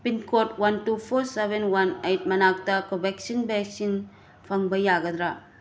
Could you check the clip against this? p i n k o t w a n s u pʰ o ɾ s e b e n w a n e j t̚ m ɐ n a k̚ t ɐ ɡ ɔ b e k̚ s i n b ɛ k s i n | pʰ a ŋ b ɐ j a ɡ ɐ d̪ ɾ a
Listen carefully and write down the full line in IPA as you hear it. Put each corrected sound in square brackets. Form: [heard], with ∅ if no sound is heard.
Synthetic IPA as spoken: p i n k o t w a n [t] u pʰ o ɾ s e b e n w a n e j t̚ m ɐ n a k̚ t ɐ [k] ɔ b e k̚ s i n b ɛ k s i n | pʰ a ŋ b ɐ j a ɡ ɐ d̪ ɾ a